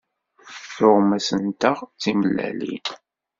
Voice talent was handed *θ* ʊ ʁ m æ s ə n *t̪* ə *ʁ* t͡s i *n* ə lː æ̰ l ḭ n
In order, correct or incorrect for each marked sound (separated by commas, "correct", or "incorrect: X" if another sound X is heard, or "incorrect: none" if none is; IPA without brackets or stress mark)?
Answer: correct, correct, correct, incorrect: m